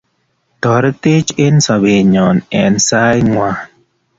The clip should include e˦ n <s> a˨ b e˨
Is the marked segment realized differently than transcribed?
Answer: no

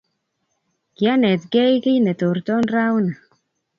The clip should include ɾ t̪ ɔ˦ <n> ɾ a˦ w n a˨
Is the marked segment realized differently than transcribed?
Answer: no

